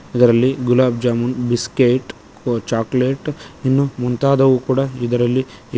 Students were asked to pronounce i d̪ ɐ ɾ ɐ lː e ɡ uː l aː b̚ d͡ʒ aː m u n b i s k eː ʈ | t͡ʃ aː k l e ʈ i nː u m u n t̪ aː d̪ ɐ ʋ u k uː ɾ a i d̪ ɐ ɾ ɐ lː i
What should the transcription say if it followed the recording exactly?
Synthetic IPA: i d̪ ɐ ɾ ɐ lː i ɡ u l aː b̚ d͡ʒ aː m u n b i s k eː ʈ | t͡ʃ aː k l e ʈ i nː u m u n t̪ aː d̪ ɐ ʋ u k uː ɽ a i d̪ ɐ ɾ ɐ lː i